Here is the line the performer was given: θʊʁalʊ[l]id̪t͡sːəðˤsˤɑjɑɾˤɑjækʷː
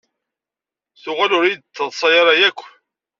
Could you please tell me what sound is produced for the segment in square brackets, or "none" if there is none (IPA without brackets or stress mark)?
ɾ